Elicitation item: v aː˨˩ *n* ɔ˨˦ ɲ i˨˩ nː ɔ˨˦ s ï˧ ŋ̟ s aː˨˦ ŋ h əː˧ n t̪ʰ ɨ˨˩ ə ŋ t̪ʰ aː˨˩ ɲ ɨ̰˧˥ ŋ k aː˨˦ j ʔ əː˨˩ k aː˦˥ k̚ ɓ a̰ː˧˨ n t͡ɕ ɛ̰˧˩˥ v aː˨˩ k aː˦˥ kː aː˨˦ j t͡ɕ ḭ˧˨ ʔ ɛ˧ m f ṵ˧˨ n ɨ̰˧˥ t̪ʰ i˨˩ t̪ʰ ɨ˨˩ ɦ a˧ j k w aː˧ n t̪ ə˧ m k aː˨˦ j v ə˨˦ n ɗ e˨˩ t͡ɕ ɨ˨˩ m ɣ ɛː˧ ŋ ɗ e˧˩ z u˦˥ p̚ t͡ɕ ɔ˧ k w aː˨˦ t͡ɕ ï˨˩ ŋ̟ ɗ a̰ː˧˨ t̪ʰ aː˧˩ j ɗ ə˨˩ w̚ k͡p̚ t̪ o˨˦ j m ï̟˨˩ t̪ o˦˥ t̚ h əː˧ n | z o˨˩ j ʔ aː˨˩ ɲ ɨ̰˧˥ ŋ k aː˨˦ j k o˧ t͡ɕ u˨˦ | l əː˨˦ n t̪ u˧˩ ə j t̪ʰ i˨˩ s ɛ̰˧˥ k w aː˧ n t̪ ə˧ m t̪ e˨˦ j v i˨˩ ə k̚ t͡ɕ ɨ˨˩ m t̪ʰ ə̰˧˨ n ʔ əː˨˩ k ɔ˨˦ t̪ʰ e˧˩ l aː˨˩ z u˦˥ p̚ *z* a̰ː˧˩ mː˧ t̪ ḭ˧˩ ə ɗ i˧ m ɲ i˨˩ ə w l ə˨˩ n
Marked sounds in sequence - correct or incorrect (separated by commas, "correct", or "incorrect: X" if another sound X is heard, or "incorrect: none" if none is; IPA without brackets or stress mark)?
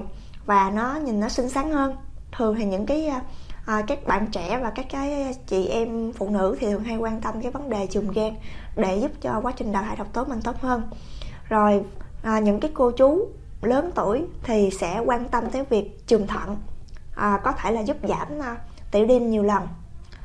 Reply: correct, correct